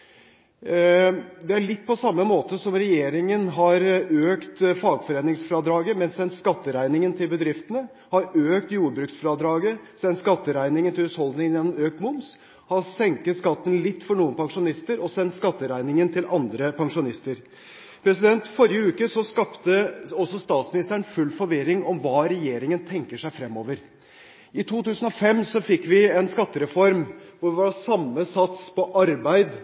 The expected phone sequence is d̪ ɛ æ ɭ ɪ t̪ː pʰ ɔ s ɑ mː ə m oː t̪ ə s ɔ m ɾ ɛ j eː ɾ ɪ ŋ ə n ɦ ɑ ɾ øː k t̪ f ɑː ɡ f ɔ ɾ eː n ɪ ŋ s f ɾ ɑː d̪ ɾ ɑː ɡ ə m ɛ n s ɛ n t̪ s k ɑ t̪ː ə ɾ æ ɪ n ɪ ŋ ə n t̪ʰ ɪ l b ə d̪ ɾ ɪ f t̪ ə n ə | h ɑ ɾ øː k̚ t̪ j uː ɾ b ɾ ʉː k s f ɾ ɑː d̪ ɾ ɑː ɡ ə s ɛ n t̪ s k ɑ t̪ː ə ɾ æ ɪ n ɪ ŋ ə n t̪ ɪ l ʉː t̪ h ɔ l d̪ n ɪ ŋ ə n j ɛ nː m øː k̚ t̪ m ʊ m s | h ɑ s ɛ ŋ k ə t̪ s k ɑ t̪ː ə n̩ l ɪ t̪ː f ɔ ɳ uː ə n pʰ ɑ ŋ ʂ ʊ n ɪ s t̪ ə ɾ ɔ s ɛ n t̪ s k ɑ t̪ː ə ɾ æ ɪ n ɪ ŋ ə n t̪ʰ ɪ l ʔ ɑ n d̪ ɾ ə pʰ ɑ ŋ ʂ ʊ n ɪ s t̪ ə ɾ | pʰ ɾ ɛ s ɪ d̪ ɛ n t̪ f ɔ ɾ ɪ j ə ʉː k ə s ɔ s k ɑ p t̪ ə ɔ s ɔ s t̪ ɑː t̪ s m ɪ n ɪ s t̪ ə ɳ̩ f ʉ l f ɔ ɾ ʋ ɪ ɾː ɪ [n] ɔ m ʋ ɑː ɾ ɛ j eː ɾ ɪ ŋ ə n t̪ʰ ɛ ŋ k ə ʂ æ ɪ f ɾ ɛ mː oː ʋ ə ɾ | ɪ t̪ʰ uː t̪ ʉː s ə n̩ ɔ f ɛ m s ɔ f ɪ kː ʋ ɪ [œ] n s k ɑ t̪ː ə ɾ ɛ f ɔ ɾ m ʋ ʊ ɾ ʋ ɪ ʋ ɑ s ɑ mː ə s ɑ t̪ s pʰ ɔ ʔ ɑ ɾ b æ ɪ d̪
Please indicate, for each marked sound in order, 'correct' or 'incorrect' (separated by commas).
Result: incorrect, incorrect